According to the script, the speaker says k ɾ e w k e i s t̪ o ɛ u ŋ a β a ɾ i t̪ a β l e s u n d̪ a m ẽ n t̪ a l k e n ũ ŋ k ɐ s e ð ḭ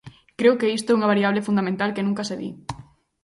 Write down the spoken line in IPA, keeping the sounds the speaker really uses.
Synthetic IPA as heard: k ɾ e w k e i s t̪ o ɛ u ŋ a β a ɾ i a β l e f u n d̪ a m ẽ n t̪ a l k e n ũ ŋ k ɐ s e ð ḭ